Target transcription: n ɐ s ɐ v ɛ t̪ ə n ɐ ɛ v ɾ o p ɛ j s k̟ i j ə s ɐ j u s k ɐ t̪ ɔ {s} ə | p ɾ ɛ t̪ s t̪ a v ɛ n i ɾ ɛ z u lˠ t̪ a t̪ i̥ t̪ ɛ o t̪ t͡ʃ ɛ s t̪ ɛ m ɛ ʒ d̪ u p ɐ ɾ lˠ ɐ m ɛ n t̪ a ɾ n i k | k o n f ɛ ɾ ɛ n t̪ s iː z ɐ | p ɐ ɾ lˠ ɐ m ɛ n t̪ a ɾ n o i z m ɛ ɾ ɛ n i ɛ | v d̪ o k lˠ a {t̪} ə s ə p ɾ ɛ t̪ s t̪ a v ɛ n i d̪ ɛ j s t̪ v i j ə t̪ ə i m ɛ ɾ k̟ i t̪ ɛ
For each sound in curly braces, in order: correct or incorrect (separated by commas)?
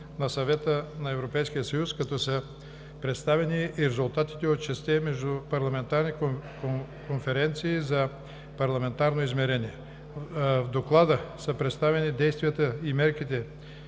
correct, incorrect